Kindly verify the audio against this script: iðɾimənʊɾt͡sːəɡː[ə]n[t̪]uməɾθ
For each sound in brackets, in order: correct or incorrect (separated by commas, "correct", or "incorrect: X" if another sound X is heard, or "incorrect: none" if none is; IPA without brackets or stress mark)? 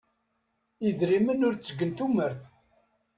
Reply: correct, correct